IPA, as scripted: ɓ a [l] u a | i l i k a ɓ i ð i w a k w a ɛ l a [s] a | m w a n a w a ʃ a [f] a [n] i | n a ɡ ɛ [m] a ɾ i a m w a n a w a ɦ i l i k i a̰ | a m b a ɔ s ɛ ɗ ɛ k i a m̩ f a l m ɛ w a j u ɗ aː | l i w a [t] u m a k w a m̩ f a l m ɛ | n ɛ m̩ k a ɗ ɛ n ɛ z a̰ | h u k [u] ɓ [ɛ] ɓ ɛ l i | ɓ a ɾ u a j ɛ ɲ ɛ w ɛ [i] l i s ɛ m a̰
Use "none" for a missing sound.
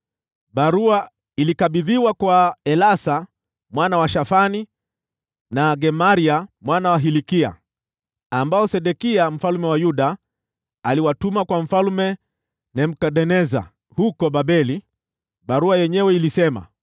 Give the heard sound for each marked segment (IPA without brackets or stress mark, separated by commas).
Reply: ɾ, s, f, n, m, t, ɔ, a, i